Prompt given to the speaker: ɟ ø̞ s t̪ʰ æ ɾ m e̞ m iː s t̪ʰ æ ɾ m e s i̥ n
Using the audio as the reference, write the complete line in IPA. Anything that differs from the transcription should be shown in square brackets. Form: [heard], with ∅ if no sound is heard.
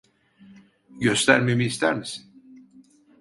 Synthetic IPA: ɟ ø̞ s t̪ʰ æ ɾ m e̞ m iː s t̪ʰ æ ɾ m [i] s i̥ n

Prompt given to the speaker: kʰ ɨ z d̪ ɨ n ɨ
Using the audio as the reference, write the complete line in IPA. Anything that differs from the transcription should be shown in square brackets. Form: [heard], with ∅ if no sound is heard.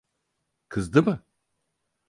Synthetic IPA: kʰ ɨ z d̪ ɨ [m] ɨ

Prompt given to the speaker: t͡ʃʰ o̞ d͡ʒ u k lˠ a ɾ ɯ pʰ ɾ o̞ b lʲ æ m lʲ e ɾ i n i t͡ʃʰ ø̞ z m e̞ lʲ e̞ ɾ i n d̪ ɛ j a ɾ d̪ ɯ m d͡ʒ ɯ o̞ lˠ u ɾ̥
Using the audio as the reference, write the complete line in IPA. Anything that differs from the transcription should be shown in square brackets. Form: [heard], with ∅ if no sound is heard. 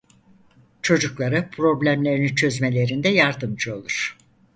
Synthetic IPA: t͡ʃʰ o̞ d͡ʒ u k lˠ a ɾ ɯ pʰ ɾ o̞ b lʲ æ m lʲ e ɾ i n i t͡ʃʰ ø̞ z m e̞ lʲ e̞ ɾ i n d̪ ɛ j a ɾ d̪ ɯ m d͡ʒ ɯ o̞ lˠ u ɾ̥

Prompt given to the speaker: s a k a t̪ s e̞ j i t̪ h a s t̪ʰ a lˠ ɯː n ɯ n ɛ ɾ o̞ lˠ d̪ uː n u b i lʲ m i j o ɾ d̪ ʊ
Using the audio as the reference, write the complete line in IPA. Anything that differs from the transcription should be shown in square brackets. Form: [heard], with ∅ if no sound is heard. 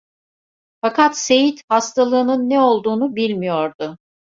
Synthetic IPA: [f] a k a t̪ s e̞ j i t̪ h a s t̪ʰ a lˠ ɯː n ɯ [nː] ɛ [∅] o̞ lˠ d̪ uː n u b i lʲ m i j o ɾ d̪ ʊ

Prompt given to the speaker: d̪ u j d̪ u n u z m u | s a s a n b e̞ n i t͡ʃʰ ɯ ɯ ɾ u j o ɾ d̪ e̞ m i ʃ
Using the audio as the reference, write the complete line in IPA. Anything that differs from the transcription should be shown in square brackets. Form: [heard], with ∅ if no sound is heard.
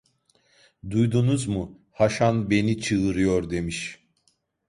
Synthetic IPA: d̪ u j d̪ u n u z m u | [h] a [ʃ] a n b e̞ n i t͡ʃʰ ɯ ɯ ɾ [ɯ] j o ɾ d̪ e̞ m i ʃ

